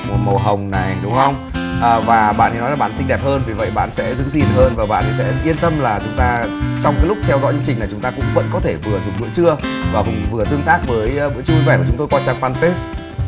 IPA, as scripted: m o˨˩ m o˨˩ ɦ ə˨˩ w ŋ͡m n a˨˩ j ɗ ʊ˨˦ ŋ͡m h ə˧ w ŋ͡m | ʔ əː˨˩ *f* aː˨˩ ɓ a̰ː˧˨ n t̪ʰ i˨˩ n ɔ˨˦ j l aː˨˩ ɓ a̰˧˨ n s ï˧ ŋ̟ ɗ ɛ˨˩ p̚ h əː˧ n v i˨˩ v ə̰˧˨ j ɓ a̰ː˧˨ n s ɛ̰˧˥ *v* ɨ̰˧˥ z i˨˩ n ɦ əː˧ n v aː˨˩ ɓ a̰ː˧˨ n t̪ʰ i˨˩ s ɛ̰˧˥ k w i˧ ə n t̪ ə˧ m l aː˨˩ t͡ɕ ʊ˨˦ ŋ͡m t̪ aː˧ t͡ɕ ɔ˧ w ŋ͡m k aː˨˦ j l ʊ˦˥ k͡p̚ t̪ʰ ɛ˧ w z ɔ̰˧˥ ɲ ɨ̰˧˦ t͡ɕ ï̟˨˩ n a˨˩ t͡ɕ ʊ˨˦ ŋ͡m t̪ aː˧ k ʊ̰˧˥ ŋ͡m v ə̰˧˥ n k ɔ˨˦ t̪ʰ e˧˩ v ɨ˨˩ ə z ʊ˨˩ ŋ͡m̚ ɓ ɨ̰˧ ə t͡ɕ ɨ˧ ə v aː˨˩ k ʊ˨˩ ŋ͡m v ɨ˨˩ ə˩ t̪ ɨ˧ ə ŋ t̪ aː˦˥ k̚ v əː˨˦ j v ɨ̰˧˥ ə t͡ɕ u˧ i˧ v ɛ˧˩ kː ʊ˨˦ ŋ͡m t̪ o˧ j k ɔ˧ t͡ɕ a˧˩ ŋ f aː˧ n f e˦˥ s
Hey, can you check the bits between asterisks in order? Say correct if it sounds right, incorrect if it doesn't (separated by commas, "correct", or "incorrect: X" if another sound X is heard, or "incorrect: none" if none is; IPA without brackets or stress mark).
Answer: incorrect: v, incorrect: z